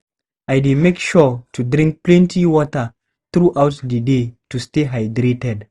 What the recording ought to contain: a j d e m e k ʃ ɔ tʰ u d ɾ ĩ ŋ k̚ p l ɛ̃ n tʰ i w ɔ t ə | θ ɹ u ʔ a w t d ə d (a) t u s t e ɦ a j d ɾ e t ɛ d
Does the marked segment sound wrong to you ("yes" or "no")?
yes